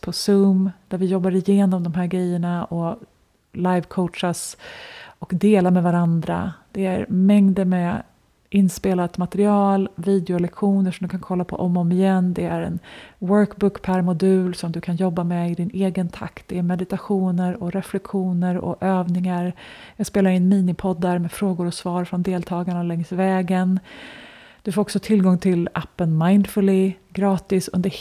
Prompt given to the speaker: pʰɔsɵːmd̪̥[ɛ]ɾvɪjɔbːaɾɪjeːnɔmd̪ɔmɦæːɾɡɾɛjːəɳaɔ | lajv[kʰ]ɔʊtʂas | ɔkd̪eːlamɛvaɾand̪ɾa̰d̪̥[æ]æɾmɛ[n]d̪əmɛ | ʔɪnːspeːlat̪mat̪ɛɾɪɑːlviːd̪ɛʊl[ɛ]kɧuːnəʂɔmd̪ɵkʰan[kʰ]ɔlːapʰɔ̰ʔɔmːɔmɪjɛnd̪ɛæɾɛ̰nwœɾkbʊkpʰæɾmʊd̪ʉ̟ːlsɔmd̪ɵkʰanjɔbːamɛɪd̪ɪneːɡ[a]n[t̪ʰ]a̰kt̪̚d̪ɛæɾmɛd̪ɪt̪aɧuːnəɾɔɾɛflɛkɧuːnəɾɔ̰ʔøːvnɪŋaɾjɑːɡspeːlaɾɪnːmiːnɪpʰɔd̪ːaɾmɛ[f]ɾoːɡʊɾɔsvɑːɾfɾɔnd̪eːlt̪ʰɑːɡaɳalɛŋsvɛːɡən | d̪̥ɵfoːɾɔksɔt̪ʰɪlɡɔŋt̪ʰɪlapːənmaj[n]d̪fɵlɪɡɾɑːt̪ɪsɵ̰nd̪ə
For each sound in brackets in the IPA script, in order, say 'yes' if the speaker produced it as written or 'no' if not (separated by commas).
no, yes, no, no, yes, yes, no, yes, yes, yes